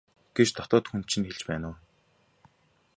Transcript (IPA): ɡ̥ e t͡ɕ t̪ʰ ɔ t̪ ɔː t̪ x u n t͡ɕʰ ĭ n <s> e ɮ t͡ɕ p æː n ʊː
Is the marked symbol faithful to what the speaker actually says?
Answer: no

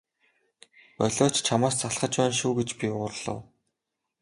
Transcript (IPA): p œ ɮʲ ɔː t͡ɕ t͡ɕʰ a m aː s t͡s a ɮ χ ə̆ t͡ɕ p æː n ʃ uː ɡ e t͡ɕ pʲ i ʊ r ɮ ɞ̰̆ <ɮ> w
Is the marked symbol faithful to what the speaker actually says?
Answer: no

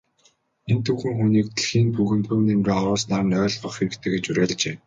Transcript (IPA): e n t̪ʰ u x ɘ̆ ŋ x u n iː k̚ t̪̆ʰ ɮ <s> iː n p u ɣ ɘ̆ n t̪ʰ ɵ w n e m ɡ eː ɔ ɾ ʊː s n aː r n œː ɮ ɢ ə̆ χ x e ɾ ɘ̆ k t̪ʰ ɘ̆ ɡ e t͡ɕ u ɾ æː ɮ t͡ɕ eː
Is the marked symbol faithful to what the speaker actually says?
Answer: no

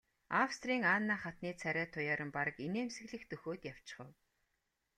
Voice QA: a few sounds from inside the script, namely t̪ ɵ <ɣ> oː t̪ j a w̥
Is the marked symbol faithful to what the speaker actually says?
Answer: no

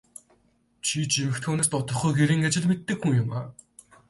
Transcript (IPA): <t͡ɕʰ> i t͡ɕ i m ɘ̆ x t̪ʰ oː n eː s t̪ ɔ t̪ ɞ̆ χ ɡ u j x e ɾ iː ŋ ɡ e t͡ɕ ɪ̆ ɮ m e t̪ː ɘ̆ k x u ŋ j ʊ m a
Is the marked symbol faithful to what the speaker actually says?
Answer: yes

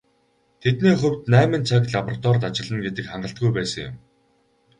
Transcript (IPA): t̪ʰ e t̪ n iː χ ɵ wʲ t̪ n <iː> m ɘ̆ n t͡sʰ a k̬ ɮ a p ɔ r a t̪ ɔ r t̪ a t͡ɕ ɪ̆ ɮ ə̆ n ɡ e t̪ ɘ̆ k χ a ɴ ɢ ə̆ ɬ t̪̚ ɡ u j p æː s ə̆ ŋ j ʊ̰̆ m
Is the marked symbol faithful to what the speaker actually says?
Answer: no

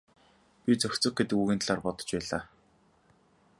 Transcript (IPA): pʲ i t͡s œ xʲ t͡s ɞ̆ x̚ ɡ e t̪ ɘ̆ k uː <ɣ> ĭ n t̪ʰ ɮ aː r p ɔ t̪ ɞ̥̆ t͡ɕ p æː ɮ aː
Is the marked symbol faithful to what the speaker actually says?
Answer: yes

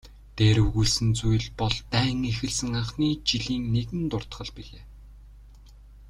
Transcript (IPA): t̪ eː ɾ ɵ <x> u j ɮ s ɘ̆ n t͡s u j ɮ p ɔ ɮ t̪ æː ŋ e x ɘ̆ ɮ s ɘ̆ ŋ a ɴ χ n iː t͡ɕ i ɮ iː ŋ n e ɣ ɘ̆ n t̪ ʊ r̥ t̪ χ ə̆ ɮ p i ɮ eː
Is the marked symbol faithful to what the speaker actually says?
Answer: no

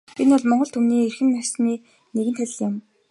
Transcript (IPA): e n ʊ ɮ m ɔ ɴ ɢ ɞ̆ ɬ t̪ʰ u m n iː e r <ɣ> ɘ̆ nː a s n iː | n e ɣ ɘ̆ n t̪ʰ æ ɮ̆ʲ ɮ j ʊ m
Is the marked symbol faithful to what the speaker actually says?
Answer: no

